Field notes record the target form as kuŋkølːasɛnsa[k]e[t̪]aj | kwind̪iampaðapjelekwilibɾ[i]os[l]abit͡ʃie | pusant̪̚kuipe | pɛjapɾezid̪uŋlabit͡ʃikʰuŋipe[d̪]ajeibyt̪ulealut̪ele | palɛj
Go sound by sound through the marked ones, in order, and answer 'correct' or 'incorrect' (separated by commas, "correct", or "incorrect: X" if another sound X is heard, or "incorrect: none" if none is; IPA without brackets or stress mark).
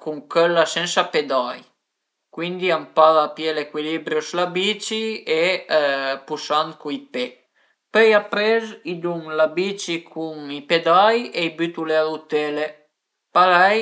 incorrect: p, incorrect: d̪, incorrect: j, correct, correct